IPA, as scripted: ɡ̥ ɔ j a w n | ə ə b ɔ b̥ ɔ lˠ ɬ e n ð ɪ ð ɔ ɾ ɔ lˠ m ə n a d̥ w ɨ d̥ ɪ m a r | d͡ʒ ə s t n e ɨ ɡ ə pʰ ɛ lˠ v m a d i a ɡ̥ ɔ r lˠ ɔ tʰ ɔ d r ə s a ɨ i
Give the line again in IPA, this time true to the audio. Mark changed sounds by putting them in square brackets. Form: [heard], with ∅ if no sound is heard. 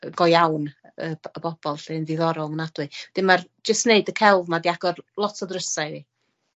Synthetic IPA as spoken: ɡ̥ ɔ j a w n | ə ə b ɔ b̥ ɔ lˠ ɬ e n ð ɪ ð ɔ ɾ ɔ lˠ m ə n a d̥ w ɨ d̥ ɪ m a r | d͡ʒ ə s t n e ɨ [d] ə [kʰ] ɛ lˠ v m a d i a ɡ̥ ɔ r lˠ ɔ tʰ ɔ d r ə s a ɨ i

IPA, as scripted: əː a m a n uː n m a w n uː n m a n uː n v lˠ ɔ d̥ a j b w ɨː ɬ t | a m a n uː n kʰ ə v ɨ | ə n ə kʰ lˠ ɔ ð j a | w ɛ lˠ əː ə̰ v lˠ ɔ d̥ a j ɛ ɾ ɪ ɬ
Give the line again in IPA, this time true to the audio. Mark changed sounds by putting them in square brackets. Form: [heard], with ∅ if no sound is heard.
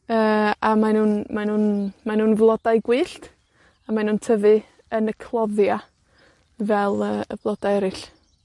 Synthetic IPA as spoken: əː a m a n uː n m a [∅] n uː n m a n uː n v lˠ ɔ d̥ a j [ɡ] w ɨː ɬ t | a m a n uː n [tʰ] ə v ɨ | ə n ə kʰ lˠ ɔ ð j a | [v] ɛ lˠ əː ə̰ v lˠ ɔ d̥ a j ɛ ɾ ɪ ɬ

